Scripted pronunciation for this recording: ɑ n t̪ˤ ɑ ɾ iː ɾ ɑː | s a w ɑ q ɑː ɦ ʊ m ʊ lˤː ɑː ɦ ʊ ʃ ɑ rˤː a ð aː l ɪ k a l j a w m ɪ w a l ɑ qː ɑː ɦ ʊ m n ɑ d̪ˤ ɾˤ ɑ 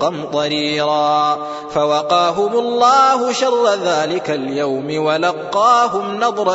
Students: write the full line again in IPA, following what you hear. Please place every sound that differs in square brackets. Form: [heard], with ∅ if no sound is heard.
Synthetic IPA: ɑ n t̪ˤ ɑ ɾ iː ɾ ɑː | [f] a w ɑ q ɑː ɦ ʊ m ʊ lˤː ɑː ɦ ʊ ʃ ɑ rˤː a ð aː l ɪ k a l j a w m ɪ w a l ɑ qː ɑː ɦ ʊ m n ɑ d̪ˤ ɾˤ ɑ